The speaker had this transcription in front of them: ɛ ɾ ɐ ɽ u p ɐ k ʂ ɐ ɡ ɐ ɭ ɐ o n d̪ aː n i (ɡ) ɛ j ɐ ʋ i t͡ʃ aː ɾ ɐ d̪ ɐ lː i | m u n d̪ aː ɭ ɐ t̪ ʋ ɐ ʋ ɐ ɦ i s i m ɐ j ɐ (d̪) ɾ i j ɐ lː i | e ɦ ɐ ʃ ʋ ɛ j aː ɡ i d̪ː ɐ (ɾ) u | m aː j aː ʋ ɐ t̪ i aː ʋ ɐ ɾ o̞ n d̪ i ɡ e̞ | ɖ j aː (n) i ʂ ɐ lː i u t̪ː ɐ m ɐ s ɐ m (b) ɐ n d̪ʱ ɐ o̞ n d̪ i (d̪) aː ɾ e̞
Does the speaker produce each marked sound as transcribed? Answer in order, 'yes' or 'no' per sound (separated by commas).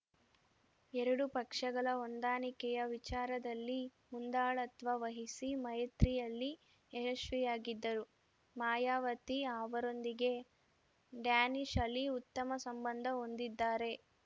no, no, yes, yes, yes, no